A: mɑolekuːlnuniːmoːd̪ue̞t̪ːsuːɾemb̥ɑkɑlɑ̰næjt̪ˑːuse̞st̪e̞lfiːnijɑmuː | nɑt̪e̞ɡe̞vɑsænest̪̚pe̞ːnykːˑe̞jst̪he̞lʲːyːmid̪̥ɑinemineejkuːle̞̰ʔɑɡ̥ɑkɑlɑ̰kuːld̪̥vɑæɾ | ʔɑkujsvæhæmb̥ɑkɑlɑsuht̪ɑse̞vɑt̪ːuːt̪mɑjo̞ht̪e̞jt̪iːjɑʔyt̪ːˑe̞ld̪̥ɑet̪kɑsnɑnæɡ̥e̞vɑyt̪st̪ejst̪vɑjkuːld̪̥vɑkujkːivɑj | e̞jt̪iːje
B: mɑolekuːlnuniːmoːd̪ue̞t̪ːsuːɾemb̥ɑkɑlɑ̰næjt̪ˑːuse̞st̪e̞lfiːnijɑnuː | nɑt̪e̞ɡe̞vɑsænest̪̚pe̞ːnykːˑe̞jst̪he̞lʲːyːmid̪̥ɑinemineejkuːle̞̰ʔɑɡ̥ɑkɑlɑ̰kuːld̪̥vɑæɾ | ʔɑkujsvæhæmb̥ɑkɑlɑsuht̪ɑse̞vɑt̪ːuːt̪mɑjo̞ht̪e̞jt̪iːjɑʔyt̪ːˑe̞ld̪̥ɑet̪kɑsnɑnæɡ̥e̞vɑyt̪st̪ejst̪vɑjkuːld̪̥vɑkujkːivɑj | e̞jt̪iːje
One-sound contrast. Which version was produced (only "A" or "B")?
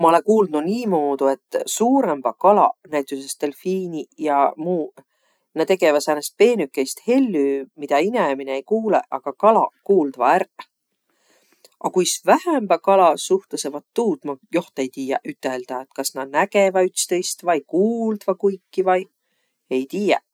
A